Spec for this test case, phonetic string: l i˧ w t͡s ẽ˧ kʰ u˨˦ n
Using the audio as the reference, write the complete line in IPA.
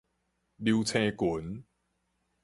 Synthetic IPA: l i˧ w t͡sʰ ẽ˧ k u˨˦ n